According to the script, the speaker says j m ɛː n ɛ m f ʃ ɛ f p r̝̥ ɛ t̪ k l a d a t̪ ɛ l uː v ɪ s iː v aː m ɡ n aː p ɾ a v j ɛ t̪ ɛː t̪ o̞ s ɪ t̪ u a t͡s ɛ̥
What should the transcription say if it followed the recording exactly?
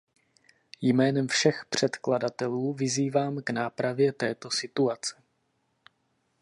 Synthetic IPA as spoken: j m ɛː n ɛ m f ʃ ɛ x p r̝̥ ɛ t̪ k l a d a t̪ ɛ l uː v ɪ z iː v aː m ɡ n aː p ɾ a v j ɛ t̪ ɛː t̪ o̞ s ɪ t̪ u a t͡s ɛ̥